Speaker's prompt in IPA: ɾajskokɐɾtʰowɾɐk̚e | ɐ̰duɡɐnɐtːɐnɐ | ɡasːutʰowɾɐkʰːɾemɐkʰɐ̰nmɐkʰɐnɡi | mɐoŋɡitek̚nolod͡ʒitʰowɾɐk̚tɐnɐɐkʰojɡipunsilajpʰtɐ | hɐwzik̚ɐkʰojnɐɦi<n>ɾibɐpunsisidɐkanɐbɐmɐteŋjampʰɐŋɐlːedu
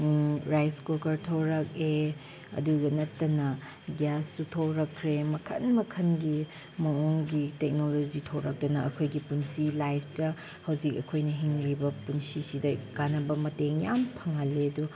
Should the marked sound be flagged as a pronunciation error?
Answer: yes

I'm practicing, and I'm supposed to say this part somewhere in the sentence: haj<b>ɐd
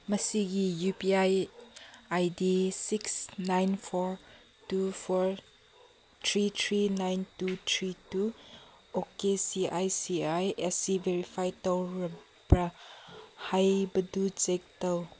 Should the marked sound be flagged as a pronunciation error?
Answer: no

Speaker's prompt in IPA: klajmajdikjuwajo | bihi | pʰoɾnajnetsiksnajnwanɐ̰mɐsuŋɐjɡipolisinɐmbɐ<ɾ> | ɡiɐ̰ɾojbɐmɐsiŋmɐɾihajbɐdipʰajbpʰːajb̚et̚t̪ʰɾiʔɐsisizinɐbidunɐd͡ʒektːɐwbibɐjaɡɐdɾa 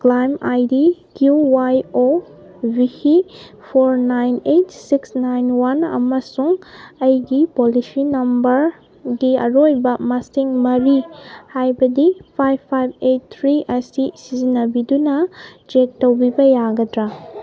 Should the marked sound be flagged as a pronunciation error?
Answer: no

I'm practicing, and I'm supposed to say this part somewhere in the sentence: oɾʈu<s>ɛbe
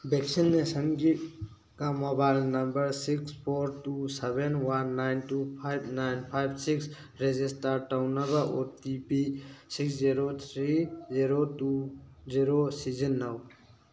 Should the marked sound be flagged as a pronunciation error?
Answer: no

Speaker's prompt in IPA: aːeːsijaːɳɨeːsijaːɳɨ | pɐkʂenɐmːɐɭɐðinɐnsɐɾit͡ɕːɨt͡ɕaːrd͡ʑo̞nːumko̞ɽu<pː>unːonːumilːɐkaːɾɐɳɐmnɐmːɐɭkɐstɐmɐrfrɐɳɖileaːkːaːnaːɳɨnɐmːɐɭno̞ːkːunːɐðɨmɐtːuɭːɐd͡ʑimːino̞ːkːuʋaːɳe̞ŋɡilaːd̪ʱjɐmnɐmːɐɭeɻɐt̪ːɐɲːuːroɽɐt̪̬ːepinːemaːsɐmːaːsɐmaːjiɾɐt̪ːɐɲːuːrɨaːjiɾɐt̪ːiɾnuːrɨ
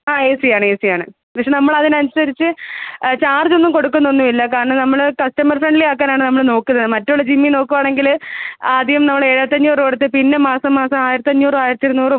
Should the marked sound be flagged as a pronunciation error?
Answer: yes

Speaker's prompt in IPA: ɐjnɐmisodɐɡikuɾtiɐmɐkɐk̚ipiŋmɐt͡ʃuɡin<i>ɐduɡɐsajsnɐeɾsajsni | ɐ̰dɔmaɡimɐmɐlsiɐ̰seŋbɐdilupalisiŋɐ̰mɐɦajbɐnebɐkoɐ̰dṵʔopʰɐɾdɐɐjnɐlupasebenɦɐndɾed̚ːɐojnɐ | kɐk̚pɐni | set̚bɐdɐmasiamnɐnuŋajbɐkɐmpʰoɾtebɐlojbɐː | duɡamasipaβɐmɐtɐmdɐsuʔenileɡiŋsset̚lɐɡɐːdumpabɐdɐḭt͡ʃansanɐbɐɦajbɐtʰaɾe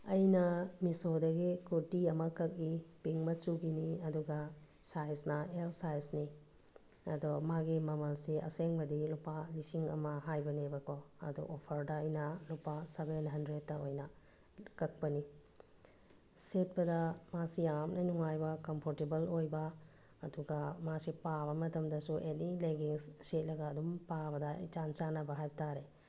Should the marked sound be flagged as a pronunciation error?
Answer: no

